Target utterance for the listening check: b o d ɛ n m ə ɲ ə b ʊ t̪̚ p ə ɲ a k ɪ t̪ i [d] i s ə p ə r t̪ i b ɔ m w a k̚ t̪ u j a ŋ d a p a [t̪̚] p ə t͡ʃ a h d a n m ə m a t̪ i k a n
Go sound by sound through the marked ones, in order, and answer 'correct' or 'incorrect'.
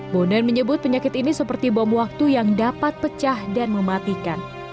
incorrect, correct

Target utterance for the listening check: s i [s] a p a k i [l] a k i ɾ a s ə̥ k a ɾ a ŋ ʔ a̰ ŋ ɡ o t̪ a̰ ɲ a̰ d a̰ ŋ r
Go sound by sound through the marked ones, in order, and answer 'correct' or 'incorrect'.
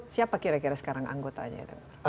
incorrect, incorrect

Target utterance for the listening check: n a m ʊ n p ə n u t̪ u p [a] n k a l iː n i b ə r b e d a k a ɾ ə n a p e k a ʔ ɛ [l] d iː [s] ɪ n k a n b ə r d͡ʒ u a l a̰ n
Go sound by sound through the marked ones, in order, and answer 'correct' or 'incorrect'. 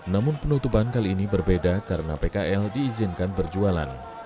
correct, correct, incorrect

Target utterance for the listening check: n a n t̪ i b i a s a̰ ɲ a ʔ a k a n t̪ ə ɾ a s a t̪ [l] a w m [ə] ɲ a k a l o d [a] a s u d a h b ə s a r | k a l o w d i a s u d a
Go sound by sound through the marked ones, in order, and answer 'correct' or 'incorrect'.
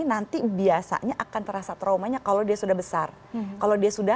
incorrect, incorrect, incorrect

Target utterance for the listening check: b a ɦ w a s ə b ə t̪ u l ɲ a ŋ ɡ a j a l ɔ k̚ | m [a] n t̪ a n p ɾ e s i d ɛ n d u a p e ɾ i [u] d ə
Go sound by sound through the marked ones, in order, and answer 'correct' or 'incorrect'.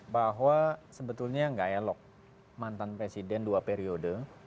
correct, incorrect

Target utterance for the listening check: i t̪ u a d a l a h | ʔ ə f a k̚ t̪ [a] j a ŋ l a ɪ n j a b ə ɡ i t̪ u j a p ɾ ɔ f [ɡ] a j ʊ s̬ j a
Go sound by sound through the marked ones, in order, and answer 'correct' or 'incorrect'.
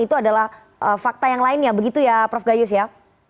correct, correct

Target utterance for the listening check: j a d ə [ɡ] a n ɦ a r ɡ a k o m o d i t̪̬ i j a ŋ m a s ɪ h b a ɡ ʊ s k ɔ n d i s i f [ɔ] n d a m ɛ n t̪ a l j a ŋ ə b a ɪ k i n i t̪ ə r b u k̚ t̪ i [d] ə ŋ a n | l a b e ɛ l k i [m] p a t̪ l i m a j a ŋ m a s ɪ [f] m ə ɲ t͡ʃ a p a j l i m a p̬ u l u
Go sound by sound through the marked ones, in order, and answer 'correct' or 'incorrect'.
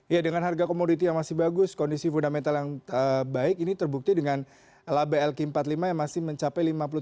incorrect, incorrect, correct, correct, incorrect

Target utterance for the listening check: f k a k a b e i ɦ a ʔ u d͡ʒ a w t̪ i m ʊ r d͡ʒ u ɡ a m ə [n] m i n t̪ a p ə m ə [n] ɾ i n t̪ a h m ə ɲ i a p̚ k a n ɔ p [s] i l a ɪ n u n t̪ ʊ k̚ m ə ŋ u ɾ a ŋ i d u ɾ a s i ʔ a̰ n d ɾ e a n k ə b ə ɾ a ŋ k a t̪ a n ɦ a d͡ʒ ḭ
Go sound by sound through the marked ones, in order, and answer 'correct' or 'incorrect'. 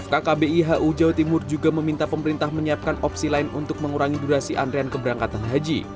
incorrect, incorrect, correct

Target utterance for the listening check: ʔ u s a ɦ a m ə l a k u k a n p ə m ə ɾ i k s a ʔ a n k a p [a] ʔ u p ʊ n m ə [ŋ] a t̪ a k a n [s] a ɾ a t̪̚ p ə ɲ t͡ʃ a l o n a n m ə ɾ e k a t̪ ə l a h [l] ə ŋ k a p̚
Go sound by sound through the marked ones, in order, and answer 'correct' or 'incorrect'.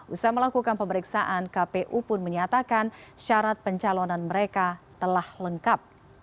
incorrect, incorrect, incorrect, correct

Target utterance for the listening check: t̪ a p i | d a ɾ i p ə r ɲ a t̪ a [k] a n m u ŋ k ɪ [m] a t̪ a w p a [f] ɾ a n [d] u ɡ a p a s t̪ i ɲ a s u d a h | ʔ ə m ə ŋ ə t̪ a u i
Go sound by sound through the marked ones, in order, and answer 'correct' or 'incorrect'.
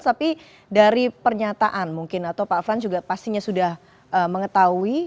incorrect, incorrect, correct, incorrect

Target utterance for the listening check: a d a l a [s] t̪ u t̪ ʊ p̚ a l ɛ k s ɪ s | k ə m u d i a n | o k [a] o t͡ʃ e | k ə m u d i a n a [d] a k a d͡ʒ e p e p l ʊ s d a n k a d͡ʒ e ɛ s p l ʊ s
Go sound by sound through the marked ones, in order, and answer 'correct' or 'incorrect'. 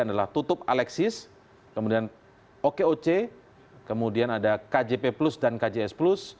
incorrect, incorrect, correct

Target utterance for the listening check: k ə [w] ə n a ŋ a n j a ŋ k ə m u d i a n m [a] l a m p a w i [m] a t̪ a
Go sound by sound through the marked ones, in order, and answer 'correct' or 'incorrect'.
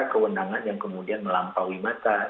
correct, incorrect, correct

